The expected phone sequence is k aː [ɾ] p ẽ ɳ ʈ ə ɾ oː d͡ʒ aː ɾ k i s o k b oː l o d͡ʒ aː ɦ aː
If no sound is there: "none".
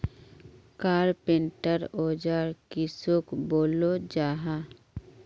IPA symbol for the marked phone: ɾ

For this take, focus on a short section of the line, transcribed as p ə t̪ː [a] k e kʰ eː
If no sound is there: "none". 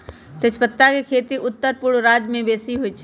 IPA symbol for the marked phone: a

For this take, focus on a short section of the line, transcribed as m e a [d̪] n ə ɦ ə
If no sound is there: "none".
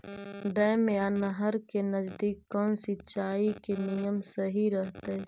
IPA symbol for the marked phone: none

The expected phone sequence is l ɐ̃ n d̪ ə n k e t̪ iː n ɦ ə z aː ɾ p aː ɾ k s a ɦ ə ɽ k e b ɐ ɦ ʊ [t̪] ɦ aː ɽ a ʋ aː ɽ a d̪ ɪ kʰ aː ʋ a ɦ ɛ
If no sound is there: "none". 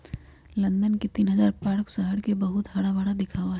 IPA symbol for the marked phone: t̪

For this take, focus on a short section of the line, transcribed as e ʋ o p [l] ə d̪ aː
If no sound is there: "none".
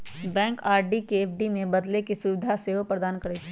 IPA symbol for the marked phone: ɾ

